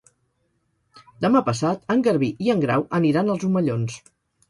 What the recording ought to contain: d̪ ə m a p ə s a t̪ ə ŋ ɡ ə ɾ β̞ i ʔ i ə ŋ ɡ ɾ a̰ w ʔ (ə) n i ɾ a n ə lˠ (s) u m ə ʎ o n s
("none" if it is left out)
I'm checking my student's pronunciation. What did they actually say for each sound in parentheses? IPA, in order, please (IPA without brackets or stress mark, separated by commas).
ə, z